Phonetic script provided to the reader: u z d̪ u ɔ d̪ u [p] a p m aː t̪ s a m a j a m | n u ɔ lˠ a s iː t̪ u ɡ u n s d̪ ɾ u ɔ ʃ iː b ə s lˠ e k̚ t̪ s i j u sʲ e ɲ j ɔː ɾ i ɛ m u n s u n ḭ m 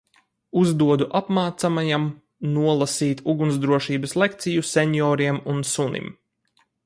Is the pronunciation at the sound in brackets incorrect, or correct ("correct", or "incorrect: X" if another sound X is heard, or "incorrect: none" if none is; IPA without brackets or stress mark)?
incorrect: ʔ